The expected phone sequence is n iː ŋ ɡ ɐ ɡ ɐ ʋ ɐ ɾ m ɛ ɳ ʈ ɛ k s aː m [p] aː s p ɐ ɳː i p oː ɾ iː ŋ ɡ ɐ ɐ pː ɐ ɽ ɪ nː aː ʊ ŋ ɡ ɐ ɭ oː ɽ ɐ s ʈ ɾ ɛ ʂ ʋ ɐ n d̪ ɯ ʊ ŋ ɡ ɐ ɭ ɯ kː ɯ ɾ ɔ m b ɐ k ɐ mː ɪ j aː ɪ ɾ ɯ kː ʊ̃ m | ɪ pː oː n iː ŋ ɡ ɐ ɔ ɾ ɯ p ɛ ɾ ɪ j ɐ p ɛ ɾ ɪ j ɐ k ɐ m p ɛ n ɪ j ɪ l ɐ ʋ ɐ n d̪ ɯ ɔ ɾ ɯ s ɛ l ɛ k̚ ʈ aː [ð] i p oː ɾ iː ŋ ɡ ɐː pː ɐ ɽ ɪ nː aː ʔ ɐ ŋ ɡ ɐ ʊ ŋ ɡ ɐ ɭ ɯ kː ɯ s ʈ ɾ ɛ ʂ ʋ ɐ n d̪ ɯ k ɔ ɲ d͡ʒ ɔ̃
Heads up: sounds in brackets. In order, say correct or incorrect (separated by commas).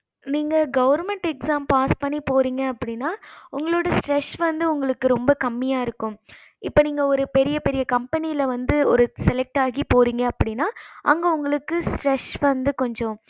correct, incorrect